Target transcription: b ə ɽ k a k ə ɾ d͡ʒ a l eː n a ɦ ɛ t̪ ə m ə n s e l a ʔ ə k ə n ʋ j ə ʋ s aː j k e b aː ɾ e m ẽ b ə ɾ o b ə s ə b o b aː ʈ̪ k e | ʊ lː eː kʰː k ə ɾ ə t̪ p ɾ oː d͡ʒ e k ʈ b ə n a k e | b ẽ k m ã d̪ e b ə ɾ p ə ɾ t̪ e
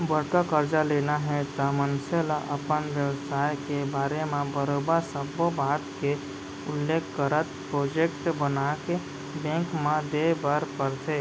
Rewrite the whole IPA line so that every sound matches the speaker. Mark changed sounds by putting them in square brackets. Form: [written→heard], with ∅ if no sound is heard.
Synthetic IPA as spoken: b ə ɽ k a k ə ɾ d͡ʒ a l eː n a ɦ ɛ t̪ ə m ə n s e l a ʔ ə [k→p] ə n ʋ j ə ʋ s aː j k e b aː ɾ e m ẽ b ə ɾ o b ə s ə b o b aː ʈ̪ k e | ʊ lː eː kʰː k ə ɾ ə t̪ p ɾ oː d͡ʒ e k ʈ b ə n a k e | b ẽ k m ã d̪ e b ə ɾ p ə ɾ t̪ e